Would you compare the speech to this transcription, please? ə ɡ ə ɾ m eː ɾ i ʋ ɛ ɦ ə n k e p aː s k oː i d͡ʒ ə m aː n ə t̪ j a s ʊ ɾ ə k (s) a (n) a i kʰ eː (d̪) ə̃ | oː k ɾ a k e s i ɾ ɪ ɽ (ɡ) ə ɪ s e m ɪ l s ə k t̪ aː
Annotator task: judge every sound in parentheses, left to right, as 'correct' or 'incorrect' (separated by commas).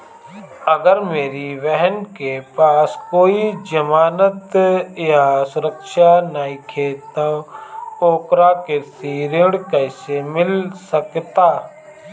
incorrect, correct, incorrect, incorrect